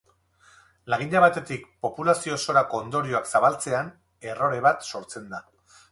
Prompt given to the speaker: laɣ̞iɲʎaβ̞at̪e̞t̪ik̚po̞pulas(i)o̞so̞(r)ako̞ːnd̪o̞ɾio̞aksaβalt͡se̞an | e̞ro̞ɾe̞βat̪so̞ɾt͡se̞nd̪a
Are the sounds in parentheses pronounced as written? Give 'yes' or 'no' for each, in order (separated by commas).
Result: yes, no